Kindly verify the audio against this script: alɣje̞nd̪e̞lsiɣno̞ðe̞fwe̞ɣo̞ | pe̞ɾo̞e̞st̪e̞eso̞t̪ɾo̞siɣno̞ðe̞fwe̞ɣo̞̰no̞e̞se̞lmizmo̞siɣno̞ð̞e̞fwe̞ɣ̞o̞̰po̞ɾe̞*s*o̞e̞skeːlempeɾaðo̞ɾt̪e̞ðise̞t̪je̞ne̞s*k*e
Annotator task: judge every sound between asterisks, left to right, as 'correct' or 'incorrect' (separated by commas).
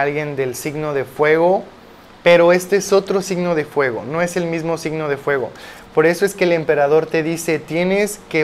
correct, correct